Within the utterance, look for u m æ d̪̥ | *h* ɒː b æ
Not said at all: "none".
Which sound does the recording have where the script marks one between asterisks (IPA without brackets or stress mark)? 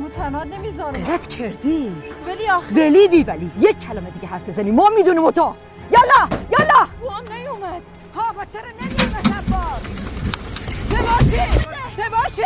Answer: h